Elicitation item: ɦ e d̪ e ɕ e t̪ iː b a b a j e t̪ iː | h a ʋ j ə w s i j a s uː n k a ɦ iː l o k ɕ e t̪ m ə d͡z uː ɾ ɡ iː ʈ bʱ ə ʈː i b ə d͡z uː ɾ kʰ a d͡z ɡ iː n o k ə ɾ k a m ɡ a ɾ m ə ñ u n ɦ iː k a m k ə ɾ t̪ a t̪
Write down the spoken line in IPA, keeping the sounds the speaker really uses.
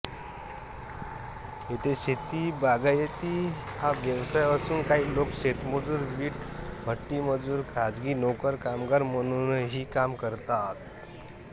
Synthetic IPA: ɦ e t̪ e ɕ e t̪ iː b a ɡ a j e t̪ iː | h a ʋ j ə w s a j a s uː n k a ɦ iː l o k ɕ e t̪ m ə d͡z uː ɾ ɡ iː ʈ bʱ ə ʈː i m ə d͡z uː ɾ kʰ a d͡z ɡ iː n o k ə ɾ k a m ɡ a ɾ m ə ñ u n ɦ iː k a m k ə ɾ t̪ a t̪